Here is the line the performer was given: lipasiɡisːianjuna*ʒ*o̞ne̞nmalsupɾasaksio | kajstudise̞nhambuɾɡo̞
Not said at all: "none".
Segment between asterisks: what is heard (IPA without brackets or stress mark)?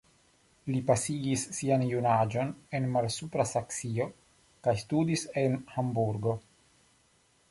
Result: d͡ʒ